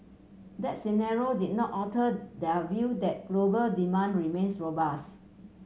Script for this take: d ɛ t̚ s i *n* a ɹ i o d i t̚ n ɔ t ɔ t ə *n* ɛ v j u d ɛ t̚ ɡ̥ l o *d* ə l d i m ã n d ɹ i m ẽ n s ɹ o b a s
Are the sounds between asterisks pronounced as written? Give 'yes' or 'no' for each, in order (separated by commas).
yes, no, no